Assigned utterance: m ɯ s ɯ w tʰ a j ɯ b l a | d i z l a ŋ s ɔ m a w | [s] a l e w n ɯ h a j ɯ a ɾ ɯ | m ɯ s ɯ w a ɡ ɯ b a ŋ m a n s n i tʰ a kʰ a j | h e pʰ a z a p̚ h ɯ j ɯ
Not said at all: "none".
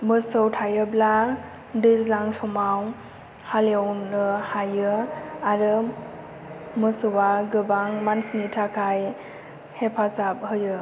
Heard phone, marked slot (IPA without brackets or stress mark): h